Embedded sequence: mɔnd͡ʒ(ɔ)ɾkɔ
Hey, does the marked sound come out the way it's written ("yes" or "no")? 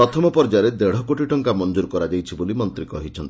no